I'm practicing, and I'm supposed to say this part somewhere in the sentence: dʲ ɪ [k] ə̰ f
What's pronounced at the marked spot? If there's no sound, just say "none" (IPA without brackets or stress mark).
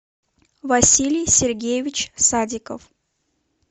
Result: k